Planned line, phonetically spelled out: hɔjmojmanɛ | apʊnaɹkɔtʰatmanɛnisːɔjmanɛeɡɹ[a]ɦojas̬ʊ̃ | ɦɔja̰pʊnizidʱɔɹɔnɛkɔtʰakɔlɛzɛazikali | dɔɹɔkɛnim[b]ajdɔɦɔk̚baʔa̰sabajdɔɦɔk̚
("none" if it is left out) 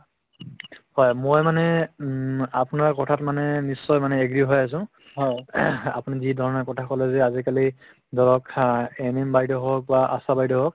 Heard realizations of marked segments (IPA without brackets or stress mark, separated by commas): i, b